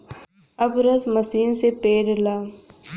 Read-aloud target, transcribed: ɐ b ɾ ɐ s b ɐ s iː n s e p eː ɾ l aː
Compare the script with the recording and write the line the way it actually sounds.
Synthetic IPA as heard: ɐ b ɾ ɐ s m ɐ s iː n s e p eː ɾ l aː